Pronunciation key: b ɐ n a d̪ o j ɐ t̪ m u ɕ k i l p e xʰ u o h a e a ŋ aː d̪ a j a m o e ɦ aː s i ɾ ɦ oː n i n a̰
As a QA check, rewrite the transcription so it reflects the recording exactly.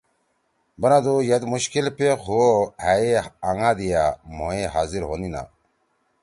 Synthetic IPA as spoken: b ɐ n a d̪ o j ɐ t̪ m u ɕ k i l p e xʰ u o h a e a ŋ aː d̪ i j a m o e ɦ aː z i ɾ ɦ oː n i n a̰